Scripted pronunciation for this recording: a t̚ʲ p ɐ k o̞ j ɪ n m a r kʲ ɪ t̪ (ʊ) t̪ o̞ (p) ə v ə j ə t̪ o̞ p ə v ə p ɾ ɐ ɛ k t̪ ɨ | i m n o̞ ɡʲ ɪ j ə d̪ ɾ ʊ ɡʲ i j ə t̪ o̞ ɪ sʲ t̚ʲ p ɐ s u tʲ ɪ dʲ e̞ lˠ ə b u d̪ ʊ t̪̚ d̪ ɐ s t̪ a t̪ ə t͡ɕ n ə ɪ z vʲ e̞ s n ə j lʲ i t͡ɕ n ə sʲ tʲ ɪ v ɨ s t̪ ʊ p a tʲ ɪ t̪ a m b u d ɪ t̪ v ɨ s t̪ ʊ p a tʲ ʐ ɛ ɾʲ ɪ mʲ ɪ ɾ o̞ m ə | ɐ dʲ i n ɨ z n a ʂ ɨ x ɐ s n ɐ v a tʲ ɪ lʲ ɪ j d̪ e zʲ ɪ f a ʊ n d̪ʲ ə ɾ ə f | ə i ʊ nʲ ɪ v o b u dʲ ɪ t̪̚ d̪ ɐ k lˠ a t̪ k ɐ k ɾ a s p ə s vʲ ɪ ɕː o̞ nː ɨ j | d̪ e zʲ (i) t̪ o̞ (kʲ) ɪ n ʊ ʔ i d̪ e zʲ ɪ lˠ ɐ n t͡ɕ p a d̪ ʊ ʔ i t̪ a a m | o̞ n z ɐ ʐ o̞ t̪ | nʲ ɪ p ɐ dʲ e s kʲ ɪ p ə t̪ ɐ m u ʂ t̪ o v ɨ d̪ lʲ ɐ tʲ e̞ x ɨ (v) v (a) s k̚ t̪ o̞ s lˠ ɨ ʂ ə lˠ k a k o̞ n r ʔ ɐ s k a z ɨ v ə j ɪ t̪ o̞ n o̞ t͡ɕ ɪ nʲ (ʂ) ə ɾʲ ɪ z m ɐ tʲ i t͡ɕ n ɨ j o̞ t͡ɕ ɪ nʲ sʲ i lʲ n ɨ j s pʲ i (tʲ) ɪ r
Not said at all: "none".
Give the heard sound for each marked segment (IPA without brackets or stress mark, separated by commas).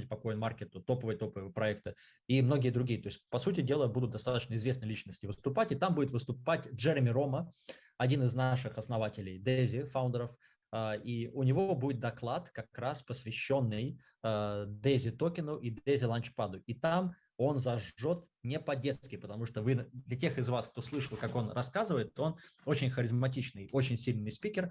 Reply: ʊ, p, ɪ, kʲ, z, a, x, kʲ